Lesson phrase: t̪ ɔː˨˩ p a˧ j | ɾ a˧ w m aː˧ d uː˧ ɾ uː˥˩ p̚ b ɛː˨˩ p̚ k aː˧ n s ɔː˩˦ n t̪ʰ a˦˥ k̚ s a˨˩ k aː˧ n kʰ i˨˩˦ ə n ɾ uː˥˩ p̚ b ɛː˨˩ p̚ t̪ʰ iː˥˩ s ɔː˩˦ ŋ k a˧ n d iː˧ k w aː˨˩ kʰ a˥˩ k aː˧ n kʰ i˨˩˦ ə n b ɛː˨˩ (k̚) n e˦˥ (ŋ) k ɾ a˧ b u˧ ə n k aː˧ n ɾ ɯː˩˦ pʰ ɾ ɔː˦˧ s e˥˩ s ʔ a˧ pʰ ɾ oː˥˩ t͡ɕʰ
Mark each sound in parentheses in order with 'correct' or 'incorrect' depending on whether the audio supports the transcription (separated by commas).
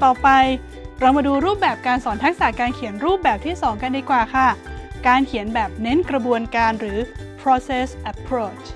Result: incorrect, incorrect